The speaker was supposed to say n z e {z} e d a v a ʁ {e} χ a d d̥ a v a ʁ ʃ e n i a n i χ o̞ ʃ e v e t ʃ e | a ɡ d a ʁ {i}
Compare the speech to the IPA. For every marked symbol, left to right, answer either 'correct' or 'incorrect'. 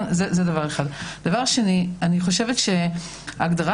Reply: correct, correct, incorrect: a

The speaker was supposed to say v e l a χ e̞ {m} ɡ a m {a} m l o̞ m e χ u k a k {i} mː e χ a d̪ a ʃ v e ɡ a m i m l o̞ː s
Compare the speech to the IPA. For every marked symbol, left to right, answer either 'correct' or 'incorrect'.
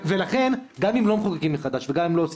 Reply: incorrect: n, incorrect: i, correct

